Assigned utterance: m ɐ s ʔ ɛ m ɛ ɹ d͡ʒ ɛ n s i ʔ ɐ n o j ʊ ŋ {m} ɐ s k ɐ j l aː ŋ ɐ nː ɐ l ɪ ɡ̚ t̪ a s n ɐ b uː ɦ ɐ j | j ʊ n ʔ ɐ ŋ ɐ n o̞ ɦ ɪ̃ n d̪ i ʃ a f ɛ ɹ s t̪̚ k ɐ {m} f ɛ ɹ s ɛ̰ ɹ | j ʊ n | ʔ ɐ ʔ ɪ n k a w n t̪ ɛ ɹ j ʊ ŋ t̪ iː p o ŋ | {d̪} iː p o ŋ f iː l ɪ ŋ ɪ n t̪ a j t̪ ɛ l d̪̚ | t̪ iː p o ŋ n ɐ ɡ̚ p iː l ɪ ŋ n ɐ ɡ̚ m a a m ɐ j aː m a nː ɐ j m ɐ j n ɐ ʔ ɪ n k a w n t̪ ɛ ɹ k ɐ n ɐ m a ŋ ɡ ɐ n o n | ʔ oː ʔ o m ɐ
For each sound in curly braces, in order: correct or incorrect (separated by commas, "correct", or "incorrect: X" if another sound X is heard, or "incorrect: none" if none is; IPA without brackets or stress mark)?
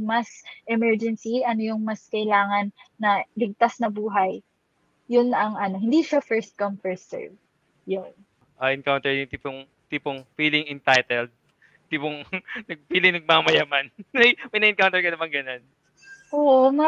correct, correct, incorrect: t̪